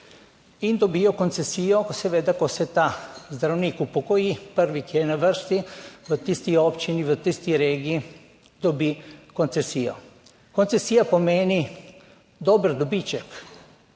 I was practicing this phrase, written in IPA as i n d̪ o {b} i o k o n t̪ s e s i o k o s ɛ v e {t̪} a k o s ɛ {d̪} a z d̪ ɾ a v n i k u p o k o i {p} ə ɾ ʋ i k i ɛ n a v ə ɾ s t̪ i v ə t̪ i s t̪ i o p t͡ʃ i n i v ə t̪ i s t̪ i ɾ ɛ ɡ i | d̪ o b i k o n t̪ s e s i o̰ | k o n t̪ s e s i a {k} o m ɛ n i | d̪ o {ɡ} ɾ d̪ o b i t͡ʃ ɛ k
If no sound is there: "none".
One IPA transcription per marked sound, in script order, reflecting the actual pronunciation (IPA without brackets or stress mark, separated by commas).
b, d̪, t̪, p, p, b